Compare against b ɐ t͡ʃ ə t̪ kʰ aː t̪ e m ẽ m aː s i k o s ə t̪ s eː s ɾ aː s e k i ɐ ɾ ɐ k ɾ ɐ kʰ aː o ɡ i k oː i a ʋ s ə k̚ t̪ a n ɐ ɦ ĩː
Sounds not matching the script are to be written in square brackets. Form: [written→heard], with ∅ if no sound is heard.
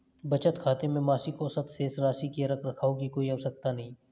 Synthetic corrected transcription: b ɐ t͡ʃ ə t̪ kʰ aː t̪ e m ẽ m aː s i k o s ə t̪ s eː s ɾ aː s [e→i] k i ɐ ɾ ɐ k ɾ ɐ kʰ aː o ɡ i k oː i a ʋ s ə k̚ t̪ a n ɐ ɦ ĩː